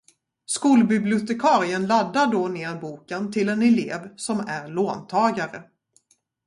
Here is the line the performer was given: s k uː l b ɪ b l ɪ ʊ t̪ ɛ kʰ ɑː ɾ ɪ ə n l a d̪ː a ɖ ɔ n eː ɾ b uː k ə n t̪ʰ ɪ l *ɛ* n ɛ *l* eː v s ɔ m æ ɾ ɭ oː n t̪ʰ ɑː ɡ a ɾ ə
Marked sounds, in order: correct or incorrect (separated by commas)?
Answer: correct, correct